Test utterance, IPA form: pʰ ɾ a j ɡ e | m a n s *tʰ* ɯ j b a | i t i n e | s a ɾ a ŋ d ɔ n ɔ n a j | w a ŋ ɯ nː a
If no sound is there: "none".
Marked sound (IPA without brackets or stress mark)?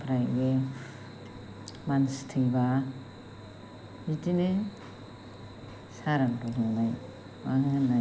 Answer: tʰ